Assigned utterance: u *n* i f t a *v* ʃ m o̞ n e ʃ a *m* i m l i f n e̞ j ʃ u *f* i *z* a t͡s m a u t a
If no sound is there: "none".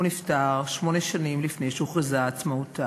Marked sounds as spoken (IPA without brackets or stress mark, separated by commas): n, ʁ, n, χ, z